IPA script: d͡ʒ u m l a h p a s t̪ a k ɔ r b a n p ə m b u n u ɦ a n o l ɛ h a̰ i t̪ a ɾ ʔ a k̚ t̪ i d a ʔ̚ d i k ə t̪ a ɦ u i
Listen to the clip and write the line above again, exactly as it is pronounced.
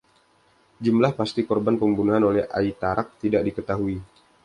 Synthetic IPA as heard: d͡ʒ u m l a h p a s t̪ i k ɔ r b a n p ə m b u n u ɦ a n o l ɛ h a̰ i t̪ a ɾ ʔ a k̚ t̪ i d a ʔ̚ d i k ə t̪ a ɦ u i